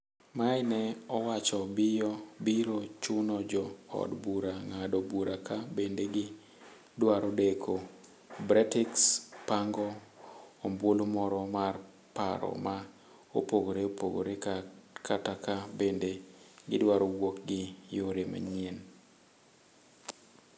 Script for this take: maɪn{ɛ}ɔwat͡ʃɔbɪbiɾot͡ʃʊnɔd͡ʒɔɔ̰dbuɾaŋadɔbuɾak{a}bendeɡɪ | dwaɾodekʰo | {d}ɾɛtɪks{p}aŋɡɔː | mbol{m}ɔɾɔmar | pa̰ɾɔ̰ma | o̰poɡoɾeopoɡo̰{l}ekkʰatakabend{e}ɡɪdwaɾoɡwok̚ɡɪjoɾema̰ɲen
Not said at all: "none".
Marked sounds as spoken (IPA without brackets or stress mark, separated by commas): ɛ, a, b, p, m, ɾ, e